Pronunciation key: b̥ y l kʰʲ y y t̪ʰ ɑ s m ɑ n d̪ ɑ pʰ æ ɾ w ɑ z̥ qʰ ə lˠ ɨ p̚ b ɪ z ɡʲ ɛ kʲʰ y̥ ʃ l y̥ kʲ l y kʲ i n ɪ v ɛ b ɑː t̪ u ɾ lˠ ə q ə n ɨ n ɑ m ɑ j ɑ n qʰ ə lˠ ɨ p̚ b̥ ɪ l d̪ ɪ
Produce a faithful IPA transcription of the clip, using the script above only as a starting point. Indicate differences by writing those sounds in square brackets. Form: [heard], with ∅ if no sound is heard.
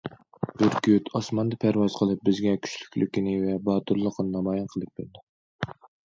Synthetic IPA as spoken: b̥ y [ɾ] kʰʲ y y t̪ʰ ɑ s m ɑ n d̪ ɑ pʰ æ ɾ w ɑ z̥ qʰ ə lˠ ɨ p̚ b ɪ z ɡʲ ɛ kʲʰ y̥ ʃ l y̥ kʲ l y kʲ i n ɪ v ɛ b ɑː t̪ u ɾ lˠ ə q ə n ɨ n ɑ m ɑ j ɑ n qʰ ə lˠ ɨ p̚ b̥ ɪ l d̪ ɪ